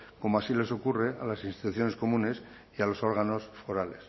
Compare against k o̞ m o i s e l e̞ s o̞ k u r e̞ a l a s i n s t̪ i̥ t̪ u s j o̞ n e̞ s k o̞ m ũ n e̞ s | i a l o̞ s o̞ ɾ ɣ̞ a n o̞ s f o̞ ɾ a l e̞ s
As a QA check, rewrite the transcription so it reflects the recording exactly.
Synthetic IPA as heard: k o̞ m o a s i l e̞ s o̞ k u r e̞ a l a s i n s t̪ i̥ t̪ u θ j o̞ n e̞ s k o̞ m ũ n e̞ s | i a l o̞ s o̞ ɾ ɣ̞ a n o̞ s f o̞ ɾ a l e̞ s